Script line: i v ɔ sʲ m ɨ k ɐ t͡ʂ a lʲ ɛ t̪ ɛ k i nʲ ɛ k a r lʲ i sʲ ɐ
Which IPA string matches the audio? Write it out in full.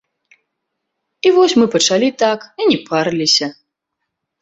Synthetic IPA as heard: i v ɔ sʲ m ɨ p ɐ t͡ʂ a lʲ i t̪ a k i nʲ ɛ p a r lʲ i sʲ ɐ